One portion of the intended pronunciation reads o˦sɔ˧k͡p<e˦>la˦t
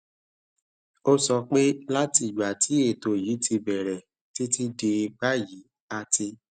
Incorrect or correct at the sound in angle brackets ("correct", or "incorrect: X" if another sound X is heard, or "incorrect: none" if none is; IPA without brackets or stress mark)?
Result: correct